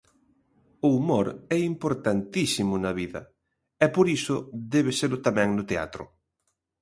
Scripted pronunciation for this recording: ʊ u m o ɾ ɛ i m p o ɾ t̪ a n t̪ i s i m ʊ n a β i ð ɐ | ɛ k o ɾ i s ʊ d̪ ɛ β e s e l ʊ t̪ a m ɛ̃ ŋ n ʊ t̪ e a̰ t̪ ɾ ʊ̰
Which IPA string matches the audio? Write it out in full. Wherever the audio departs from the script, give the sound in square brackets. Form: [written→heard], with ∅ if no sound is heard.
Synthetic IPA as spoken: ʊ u m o ɾ ɛ i m p o ɾ t̪ a n t̪ i s i m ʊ n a β i ð ɐ | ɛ [k→p] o ɾ i s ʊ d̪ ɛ β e s e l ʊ t̪ a m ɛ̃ ŋ n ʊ t̪ e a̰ t̪ ɾ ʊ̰